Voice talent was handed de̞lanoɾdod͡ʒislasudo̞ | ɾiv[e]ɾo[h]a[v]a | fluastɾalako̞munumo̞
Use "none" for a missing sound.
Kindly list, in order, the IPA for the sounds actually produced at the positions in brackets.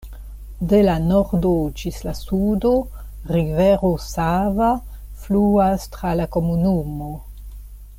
e, s, v

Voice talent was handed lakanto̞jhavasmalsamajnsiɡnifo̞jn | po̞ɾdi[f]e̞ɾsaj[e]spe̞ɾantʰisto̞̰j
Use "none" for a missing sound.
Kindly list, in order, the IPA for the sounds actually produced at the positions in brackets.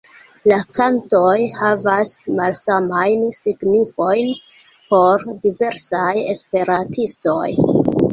v, e

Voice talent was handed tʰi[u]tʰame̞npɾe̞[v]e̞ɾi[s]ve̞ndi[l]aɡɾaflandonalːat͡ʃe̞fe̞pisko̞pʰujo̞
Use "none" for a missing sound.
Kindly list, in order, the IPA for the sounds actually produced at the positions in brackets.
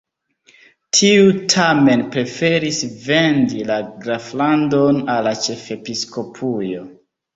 u, f, s, l

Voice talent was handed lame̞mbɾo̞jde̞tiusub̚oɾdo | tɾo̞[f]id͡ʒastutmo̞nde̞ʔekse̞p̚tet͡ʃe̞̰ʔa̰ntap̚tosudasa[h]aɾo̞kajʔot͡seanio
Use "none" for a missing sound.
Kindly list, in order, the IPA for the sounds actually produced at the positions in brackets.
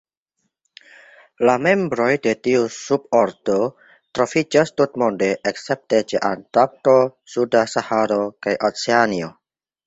f, h

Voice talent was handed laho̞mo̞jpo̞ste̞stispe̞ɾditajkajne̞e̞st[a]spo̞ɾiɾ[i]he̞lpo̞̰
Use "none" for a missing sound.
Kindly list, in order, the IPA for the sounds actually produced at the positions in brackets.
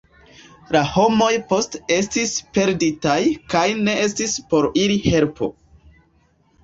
i, i

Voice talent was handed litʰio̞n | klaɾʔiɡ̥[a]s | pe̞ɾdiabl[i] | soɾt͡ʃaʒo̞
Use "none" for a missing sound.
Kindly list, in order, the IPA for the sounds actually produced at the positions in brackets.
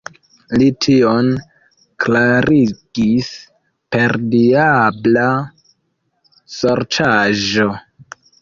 i, a

